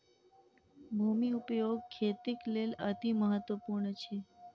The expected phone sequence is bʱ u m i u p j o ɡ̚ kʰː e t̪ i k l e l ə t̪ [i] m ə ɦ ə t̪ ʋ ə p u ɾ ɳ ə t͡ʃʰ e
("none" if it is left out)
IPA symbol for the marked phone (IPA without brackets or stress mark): i